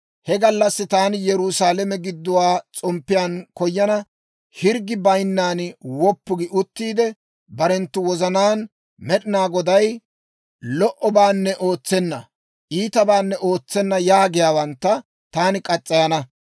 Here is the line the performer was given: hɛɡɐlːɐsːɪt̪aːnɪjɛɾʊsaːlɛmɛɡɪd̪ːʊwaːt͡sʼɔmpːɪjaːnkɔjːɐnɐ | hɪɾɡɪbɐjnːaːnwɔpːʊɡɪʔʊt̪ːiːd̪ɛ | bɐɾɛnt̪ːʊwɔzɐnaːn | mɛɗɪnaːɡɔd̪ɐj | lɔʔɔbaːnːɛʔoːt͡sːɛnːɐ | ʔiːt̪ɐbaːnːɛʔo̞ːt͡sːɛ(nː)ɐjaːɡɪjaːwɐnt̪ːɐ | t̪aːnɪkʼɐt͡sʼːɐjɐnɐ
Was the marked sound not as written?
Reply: no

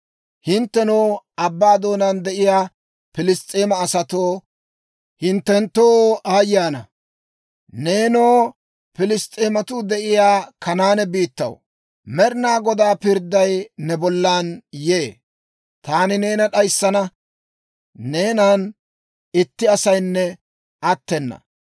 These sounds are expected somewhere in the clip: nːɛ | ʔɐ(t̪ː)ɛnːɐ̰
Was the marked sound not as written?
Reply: no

